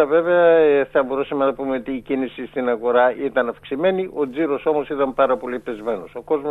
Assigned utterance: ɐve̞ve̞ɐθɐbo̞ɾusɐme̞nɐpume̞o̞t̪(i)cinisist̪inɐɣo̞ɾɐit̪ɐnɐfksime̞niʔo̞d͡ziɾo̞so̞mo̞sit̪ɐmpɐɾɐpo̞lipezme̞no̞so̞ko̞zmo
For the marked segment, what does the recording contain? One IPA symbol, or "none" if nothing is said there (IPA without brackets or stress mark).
iː